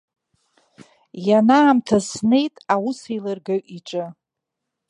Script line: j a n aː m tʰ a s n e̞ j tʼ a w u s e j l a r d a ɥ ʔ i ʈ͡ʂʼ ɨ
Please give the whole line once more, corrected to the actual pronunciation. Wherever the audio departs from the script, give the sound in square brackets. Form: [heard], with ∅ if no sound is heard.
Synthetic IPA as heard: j a n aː m tʰ a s n e̞ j tʼ a w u s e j l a r [ɡ] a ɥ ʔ i ʈ͡ʂʼ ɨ